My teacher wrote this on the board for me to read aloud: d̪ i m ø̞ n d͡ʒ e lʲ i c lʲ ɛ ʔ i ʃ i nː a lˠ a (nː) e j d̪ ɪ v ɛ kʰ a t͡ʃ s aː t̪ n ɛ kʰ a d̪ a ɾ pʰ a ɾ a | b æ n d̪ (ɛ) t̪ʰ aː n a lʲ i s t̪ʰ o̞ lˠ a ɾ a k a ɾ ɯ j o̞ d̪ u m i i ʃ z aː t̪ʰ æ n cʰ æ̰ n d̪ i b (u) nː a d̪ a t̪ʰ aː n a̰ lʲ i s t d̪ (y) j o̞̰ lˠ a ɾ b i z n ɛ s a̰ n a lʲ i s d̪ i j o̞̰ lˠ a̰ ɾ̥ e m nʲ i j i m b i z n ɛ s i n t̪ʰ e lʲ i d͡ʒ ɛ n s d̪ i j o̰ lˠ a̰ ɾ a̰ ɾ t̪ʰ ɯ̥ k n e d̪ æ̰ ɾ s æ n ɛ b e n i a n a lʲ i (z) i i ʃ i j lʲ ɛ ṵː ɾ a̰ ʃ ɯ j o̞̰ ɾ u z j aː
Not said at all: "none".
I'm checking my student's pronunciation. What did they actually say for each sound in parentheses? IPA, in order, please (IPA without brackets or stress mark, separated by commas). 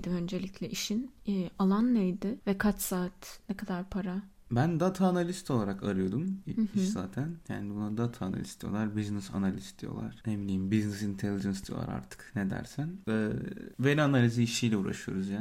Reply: nː, a, u, i, z